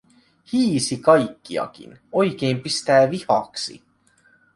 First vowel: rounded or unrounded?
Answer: unrounded